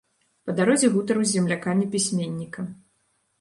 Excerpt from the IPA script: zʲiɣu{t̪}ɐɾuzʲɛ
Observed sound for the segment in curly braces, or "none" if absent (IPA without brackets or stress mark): t̪